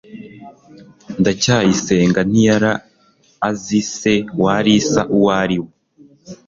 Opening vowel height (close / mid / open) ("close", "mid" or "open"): open